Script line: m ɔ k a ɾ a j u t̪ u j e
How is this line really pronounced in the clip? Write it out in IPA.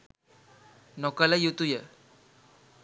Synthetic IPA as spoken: n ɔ k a l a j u t̪ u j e